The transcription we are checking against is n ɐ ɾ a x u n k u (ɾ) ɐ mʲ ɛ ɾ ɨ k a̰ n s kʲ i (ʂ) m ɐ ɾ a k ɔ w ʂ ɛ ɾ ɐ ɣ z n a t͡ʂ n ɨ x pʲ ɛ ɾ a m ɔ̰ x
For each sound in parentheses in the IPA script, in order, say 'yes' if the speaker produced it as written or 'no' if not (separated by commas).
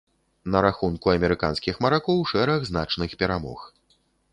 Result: no, no